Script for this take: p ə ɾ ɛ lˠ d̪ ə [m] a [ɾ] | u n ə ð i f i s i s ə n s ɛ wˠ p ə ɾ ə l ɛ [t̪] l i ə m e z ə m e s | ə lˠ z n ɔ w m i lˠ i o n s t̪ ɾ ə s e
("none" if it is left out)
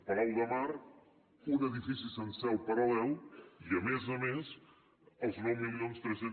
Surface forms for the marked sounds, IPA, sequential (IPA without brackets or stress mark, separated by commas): m, ɾ, none